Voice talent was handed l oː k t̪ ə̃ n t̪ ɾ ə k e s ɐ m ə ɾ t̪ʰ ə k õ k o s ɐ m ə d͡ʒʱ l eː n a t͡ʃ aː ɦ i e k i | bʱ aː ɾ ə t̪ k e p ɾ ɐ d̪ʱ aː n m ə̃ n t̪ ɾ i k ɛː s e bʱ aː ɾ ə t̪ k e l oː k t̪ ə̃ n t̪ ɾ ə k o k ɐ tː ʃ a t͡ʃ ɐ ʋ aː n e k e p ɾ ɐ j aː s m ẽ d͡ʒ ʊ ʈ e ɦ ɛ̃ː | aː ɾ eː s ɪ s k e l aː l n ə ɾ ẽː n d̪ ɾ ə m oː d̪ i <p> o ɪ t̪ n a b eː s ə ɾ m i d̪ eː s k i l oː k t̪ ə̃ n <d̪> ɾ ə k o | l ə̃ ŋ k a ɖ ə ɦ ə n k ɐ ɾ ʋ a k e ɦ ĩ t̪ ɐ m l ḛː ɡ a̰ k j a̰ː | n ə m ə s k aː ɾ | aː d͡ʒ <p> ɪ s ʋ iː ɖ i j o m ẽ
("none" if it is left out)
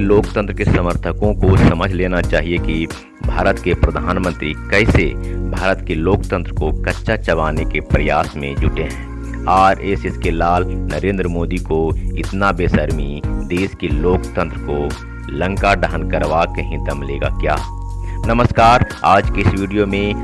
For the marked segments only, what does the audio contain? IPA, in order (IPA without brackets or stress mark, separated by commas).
k, t̪, k